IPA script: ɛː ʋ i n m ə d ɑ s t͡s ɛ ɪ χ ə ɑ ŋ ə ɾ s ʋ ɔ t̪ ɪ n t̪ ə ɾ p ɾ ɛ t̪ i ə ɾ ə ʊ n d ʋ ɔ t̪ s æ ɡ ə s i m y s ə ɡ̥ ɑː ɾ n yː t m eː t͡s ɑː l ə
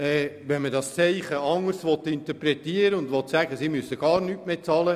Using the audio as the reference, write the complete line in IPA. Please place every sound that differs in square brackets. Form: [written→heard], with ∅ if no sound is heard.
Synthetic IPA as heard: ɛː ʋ [i→ɛ] n m ə d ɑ s t͡s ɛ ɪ χ ə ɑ ŋ ə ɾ s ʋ ɔ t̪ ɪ n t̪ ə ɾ p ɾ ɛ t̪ i ə ɾ ə ʊ n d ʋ ɔ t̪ s æ ɡ ə s i m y s ə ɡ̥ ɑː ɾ n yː t m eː t͡s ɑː l ə

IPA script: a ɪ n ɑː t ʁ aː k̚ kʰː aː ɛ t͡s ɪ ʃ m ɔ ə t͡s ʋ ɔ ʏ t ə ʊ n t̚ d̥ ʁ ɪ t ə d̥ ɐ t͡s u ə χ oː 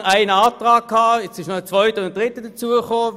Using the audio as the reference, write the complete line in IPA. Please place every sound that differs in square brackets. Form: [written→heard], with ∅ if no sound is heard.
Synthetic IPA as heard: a ɪ n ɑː t ʁ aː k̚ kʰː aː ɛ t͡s ɪ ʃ [m→n] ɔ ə t͡s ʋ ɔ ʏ t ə ʊ n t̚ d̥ ʁ ɪ t ə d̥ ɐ t͡s u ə χ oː

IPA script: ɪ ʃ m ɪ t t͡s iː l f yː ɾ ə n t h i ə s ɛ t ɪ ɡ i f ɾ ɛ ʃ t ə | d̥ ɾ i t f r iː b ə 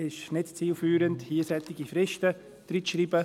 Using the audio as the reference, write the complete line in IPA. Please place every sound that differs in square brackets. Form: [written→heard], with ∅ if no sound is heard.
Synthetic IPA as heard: ɪ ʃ [m→n] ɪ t t͡s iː l f yː ɾ ə n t h i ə s ɛ t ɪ ɡ i f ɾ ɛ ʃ t ə | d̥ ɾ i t [f→ʃ] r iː b ə

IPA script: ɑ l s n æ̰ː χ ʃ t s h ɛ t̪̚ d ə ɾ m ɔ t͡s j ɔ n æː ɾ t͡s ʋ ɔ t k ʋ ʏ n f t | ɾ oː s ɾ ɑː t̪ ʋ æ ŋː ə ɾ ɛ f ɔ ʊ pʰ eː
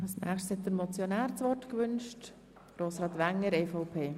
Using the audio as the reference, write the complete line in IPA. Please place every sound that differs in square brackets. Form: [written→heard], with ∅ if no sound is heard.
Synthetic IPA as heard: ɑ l s n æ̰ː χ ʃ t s h ɛ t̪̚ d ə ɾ m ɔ t͡s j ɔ n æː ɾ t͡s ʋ ɔ t k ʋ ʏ n [f→ʃ] t | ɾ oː s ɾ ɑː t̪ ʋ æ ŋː ə ɾ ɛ f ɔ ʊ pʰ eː

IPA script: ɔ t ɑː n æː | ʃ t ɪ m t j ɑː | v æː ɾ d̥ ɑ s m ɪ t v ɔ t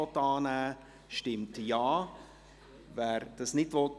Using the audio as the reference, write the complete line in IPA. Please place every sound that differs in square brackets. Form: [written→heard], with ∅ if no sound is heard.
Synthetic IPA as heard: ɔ t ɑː n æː | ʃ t ɪ m t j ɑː | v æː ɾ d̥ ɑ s [m→n] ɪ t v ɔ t

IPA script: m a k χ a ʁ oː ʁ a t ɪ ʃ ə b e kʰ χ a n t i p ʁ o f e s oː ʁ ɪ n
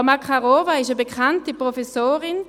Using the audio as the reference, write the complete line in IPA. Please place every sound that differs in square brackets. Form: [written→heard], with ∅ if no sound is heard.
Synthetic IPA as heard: m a k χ a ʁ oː [ʁ→v] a [t→∅] ɪ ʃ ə b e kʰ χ a n t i p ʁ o f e s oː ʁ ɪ n

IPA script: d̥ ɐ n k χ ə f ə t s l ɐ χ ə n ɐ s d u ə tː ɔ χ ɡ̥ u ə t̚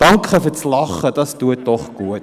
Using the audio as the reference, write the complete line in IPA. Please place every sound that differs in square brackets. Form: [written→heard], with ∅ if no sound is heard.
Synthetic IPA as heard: d̥ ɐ [n→ŋ] k χ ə f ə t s l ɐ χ ə [n→d] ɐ s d u ə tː ɔ χ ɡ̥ u ə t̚

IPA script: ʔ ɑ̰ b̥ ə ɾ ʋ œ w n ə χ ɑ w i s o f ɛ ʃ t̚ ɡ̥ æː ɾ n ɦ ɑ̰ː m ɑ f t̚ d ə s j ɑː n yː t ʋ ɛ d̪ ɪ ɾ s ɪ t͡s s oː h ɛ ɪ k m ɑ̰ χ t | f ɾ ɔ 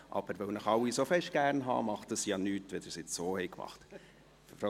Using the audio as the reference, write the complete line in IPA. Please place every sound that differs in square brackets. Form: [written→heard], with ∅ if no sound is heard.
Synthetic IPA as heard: ʔ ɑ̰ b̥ ə ɾ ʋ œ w n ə χ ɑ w i s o f ɛ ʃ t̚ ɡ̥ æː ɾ n ɦ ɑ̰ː m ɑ [f→χ] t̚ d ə s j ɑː n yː t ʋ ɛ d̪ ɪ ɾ s ɪ t͡s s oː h ɛ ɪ k m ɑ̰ χ t | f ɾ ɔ

